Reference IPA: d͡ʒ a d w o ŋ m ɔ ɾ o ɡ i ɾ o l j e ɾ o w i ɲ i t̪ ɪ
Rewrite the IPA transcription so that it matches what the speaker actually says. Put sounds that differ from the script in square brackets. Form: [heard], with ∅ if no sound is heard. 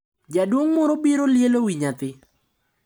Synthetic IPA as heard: d͡ʒ a d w o ŋ m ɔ ɾ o [b] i ɾ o l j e [l] o w i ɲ [a] t̪ ɪ

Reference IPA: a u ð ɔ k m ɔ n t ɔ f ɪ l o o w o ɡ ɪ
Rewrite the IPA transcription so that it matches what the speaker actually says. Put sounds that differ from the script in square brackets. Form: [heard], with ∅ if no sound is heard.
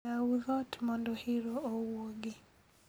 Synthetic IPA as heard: a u ð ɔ [t] m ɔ n [d] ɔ [h] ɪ [ɾ] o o w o ɡ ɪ

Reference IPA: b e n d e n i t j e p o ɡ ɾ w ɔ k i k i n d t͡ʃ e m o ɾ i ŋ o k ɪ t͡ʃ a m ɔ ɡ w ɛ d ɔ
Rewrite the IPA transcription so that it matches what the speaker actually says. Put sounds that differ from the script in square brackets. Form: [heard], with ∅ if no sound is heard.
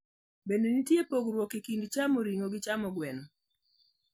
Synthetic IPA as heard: b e n d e n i t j e p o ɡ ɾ w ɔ k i k i n d t͡ʃ [a] m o ɾ i ŋ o [ɡ] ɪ t͡ʃ a m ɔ ɡ w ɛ [n] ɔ

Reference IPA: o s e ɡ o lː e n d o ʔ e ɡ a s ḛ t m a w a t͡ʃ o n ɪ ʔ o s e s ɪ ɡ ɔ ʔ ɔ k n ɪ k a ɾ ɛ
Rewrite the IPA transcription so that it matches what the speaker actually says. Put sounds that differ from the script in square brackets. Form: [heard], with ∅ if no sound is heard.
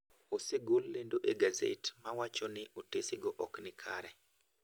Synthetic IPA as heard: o s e ɡ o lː e n d o ʔ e ɡ a [z] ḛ t m a w a t͡ʃ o n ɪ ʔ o [t] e s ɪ ɡ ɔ ʔ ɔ k n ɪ [kʰ] a ɾ ɛ

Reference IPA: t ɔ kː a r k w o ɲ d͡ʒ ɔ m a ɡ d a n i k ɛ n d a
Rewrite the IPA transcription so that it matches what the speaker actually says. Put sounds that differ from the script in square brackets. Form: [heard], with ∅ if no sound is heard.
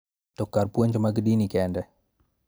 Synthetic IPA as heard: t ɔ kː a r [p] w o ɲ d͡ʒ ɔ m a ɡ d [i] n i k ɛ n d [ɛ]

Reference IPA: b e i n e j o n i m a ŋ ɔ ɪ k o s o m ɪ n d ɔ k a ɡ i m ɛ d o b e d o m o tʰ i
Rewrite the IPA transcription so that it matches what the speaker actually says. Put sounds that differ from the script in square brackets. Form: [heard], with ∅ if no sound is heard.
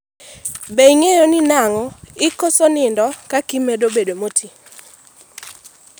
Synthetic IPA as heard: b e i [ŋ] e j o n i [n] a ŋ ɔ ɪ k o s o [n] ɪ n d ɔ k a [k] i m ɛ d o b e d o m o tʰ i

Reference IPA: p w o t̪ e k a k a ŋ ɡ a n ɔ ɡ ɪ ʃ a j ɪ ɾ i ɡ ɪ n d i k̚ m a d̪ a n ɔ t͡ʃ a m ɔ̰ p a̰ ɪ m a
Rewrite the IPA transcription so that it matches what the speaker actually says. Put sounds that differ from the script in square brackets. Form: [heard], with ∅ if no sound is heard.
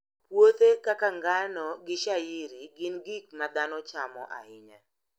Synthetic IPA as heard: p w o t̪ e k a k a ŋ ɡ a n ɔ ɡ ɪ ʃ a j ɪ ɾ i ɡ ɪ n [ɡ] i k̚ m a d̪ a n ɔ t͡ʃ a m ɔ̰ [ʔ] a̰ ɪ [ɲ] a

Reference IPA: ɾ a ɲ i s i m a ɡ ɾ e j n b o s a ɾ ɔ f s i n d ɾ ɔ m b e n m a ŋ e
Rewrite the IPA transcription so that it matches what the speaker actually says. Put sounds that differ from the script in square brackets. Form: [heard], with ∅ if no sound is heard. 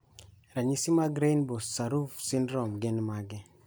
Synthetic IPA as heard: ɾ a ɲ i s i m a ɡ ɾ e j n b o s a ɾ [u] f s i n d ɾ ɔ m [ɡ] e n m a [ɡ] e

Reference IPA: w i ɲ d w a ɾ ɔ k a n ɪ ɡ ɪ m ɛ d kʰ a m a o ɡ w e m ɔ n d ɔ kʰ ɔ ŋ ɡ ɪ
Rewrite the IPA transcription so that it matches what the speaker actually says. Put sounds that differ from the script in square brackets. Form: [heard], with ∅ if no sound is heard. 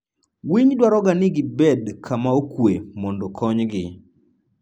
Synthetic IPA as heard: w i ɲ d w a ɾ ɔ [ɡ] a n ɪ ɡ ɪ [b] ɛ d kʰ a m a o [k] w e m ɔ n d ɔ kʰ ɔ [ɲ] ɡ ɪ

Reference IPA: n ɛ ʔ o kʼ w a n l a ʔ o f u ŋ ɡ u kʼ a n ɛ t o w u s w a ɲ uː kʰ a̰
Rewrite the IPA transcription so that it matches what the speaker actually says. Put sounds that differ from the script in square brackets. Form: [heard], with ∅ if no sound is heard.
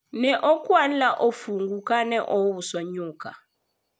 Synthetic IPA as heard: n ɛ ʔ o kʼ w a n l a ʔ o f u ŋ ɡ u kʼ a n ɛ [ʔ] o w u s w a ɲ uː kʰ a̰

